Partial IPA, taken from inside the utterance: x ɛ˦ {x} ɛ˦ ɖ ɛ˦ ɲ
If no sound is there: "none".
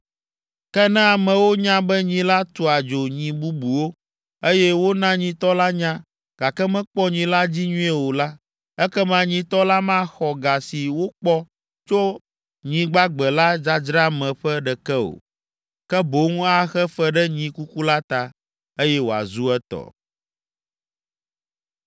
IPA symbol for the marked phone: f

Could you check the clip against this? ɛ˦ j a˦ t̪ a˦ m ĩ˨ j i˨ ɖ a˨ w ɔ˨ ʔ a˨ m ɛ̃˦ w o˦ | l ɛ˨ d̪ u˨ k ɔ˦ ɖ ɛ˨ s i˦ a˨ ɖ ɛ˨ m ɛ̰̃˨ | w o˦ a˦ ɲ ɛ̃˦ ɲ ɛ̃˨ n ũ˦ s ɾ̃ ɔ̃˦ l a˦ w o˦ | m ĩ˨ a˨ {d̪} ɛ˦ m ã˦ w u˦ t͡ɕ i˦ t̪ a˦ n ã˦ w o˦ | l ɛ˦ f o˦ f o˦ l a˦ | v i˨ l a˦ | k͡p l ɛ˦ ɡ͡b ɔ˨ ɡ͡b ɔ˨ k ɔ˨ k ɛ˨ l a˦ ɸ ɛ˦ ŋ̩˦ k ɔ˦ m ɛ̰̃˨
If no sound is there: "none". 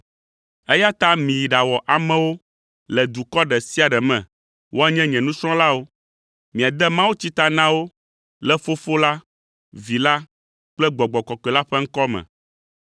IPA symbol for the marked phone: d̪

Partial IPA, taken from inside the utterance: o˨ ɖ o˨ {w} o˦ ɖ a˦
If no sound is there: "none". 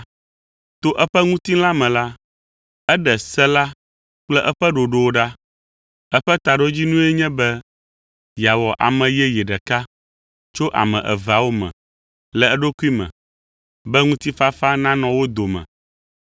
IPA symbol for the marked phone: w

